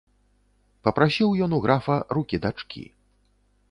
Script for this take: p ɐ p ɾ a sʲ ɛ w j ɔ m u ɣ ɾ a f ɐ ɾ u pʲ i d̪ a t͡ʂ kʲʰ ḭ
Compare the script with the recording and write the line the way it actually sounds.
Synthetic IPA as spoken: p ɐ p ɾ a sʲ i w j ɔ n u ɣ ɾ a f ɐ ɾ u kʲ i d̪ a t͡ʂ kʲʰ ḭ